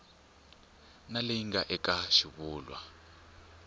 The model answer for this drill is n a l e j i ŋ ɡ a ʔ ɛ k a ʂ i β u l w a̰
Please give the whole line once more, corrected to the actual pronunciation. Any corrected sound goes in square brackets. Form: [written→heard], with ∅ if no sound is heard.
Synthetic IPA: n a l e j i ŋ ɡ a ʔ ɛ k a [ʂ→ʃ] i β [u→uː] l w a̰